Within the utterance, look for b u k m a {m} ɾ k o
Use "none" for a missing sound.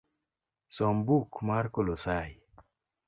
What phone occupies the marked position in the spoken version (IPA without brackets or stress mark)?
none